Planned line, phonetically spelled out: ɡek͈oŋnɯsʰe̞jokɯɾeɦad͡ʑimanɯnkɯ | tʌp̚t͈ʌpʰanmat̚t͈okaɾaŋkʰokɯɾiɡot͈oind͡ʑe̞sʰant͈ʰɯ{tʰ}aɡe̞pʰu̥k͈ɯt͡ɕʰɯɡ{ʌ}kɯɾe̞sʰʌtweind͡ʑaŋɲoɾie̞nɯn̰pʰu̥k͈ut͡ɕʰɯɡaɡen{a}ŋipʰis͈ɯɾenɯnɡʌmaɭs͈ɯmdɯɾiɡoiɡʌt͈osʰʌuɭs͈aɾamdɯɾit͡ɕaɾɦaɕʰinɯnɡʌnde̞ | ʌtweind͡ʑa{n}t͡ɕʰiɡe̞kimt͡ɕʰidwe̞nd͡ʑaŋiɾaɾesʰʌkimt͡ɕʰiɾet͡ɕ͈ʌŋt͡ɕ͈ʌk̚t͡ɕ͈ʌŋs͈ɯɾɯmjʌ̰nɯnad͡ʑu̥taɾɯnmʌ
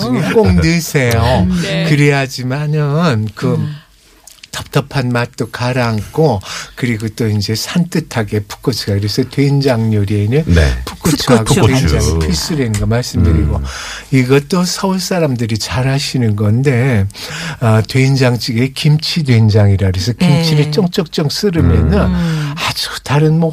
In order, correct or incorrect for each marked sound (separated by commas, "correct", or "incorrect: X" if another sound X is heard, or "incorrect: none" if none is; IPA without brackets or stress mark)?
correct, incorrect: a, correct, incorrect: ŋ